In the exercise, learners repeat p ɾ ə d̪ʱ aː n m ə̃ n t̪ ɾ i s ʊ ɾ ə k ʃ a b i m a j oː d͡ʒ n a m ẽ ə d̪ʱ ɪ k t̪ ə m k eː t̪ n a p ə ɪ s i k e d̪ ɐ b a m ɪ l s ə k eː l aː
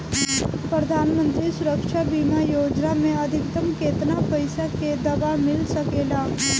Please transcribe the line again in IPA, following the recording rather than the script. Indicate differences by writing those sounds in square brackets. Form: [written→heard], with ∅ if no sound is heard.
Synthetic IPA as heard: p ɾ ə d̪ʱ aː n m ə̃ n t̪ ɾ i s ʊ ɾ ə k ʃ a b i m a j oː d͡ʒ n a m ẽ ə d̪ʱ ɪ k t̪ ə m k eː t̪ n a p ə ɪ s [i→a] k e d̪ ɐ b a m ɪ l s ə k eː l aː